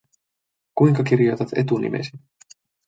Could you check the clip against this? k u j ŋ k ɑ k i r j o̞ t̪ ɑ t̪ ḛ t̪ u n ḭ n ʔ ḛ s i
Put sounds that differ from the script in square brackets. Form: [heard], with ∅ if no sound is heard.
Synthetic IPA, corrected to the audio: k u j ŋ k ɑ k i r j o̞ t̪ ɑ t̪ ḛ t̪ u n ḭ [m] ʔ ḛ s i